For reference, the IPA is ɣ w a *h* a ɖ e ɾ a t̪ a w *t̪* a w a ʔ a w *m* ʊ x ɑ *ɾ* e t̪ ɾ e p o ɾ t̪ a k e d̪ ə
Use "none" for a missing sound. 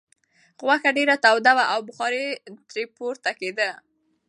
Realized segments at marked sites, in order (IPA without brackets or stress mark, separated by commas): x, d̪, b, ɾ